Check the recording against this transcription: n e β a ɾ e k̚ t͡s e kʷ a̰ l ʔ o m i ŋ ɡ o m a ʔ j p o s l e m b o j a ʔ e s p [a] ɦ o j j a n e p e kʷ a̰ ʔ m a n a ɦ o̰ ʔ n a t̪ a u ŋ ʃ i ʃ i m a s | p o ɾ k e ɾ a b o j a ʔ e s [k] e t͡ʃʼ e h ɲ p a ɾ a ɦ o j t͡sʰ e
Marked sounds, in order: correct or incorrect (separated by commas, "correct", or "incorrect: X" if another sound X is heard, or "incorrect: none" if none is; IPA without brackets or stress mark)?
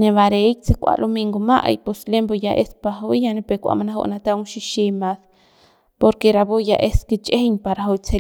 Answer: correct, correct